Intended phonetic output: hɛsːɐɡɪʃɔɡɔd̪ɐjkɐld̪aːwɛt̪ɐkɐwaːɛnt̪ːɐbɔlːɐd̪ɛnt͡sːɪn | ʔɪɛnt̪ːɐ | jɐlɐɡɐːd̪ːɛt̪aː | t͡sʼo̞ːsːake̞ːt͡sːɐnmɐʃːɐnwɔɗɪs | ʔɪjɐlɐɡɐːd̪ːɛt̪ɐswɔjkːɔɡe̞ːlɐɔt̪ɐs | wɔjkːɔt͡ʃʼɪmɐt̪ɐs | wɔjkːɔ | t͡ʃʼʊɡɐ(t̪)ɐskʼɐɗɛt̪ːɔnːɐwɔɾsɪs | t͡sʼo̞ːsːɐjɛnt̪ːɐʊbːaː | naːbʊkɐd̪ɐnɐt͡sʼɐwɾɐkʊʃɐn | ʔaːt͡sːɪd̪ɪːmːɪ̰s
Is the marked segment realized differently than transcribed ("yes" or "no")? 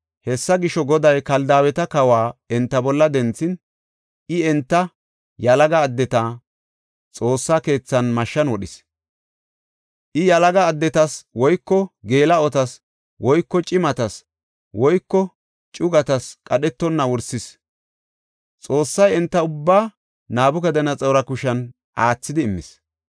no